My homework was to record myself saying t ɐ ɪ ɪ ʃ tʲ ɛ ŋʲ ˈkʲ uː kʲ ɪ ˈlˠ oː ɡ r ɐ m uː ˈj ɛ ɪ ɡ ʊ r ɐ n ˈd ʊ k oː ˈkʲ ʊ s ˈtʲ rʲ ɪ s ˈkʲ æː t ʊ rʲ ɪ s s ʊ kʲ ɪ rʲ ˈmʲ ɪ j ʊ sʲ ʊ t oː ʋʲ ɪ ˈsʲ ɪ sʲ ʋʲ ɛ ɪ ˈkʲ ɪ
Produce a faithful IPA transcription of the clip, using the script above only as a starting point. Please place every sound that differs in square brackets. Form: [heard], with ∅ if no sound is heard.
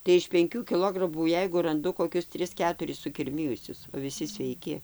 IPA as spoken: t ɐ ɪ ɪ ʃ [pʲ] ɛ ŋʲ ˈkʲ uː kʲ ɪ ˈlˠ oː ɡ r ɐ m uː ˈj ɛ ɪ ɡ ʊ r ɐ n ˈd ʊ k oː ˈkʲ ʊ s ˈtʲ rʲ ɪ s ˈkʲ æː t ʊ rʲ ɪ s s ʊ kʲ ɪ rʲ ˈmʲ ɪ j ʊ sʲ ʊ [s] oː ʋʲ ɪ ˈsʲ ɪ sʲ ʋʲ ɛ ɪ ˈkʲ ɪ